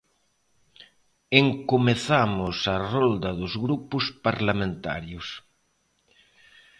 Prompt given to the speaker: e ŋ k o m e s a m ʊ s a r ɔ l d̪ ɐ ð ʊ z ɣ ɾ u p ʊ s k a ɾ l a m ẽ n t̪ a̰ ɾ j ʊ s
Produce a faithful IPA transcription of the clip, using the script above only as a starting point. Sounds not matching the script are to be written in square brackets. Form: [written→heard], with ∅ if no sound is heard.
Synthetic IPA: e ŋ k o m e [s→θ] a m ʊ s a r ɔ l d̪ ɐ ð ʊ z ɣ ɾ u p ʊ s [k→p] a ɾ l a m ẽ n t̪ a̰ ɾ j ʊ s

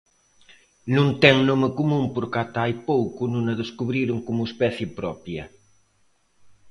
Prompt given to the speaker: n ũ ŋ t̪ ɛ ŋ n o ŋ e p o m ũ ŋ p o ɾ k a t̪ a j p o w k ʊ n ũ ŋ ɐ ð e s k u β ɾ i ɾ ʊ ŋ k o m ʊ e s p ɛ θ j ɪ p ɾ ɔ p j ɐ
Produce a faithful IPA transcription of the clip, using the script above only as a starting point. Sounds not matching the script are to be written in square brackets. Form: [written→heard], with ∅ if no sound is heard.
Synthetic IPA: n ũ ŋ t̪ ɛ ŋ n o [ŋ→m] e [p→k] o m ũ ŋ p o ɾ k a t̪ a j p o w k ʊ n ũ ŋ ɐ ð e s k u β ɾ i ɾ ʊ ŋ k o m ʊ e s p ɛ θ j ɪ p ɾ ɔ p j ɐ

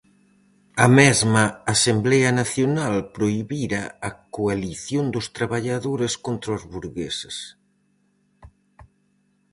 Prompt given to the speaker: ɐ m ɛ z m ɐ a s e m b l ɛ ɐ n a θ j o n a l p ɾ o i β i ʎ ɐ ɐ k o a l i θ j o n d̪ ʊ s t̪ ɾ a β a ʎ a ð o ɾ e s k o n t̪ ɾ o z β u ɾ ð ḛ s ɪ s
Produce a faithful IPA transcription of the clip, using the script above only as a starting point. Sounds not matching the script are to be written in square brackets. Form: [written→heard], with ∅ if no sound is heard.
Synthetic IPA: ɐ m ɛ z m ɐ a s e m b l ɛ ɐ n a θ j o n a l p ɾ o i β i [ʎ→ɾ] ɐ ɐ k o a l i θ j o n d̪ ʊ s t̪ ɾ a β a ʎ a ð o ɾ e s k o n t̪ ɾ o z β u ɾ [ð→ɣ] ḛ s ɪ s

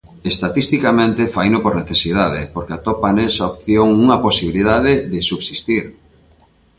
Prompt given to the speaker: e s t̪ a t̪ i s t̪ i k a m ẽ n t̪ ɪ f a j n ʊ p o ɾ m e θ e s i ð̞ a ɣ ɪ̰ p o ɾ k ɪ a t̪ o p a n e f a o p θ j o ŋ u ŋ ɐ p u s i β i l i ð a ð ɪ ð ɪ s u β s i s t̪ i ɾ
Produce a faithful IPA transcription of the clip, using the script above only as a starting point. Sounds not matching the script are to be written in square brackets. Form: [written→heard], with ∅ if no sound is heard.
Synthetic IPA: e s t̪ a t̪ i s t̪ i k a m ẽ n t̪ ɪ f a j n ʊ p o ɾ [m→n] e θ e s i ð̞ a [ɣ→ð] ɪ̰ p o ɾ k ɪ a t̪ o p a n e [f→s] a o p θ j o ŋ u ŋ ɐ p [u→o] s i β i l i ð a ð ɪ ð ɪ s u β s i s t̪ i ɾ

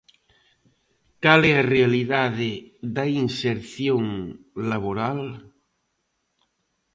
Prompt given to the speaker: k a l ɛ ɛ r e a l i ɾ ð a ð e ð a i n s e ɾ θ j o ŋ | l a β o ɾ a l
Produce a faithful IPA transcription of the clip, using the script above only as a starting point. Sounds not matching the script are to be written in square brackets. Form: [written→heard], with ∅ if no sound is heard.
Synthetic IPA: k a l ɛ [ɛ→a] r e a l i [ɾ→∅] ð a ð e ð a i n s e ɾ θ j o ŋ | l a β o ɾ a l

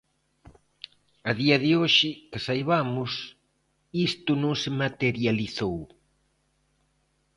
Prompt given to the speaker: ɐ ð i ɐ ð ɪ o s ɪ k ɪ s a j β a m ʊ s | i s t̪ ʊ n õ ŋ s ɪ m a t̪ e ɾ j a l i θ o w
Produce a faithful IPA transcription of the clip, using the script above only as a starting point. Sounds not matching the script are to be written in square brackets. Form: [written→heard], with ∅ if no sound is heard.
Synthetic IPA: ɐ ð i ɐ ð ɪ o [s→ʃ] ɪ k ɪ s a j β a m ʊ s | i s t̪ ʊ n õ ŋ s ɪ m a t̪ e ɾ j a l i θ o w

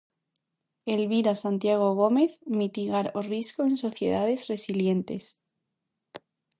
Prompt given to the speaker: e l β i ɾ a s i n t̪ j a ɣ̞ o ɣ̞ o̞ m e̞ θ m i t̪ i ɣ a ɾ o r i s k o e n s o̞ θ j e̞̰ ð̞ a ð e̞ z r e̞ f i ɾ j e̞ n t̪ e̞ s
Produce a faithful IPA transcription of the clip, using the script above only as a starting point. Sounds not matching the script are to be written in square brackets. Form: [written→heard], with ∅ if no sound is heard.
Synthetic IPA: e l β i ɾ a s [i→a] n t̪ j a ɣ̞ o ɣ̞ o̞ m e̞ θ m i t̪ i ɣ a ɾ o r i s k o e n s o̞ θ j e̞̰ ð̞ a ð e̞ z r e̞ [f→s] i [ɾ→l] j e̞ n t̪ e̞ s

